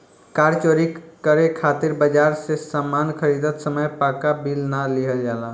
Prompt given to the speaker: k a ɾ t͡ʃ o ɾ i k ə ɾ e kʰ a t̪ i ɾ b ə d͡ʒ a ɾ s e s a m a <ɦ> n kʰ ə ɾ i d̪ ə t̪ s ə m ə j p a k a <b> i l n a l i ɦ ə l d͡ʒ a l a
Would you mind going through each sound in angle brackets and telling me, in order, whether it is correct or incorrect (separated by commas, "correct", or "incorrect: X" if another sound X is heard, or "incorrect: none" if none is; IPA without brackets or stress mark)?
incorrect: none, correct